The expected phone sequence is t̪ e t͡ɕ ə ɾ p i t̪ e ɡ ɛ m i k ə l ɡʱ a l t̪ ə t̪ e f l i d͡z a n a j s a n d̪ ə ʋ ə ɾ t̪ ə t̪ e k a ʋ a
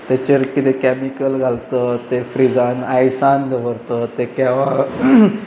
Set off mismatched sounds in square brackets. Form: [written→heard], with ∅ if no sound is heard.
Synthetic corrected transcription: t̪ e t͡ɕ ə ɾ [p→k] i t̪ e [ɡ→k] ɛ m i k ə l ɡʱ a l t̪ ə t̪ e f [l→ɾ] i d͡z a n a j s a n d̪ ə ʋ ə ɾ t̪ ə t̪ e k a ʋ a